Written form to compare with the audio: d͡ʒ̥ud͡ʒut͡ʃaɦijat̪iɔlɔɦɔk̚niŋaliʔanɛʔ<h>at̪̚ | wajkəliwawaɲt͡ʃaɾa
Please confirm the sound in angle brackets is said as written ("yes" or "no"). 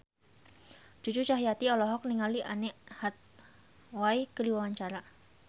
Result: yes